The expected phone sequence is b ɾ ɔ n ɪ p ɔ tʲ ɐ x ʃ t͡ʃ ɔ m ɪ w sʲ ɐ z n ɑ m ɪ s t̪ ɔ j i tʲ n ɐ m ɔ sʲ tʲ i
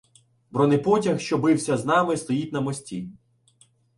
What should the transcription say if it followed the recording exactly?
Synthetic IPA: b ɾ ɔ n ɪ p ɔ tʲ ɐ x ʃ t͡ʃ ɔ b ɪ w sʲ ɐ z n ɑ m ɪ s t̪ ɔ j i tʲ n ɐ m ɔ sʲ tʲ i